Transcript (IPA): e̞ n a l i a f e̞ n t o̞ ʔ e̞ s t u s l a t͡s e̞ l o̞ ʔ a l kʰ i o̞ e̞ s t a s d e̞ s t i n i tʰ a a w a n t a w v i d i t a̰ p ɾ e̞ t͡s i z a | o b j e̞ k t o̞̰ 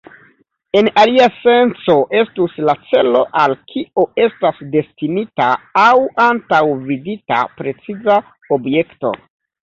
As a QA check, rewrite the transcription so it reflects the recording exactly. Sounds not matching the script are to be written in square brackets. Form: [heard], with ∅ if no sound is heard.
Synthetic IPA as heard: e̞ n a l i a [s] e̞ n [t͡s] o̞ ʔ e̞ s t u s l a t͡s e̞ l o̞ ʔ a l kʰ i o̞ e̞ s t a s d e̞ s t i n i [t] a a w a n t a w v i d i t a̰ p ɾ e̞ t͡s i z a | o b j e̞ k t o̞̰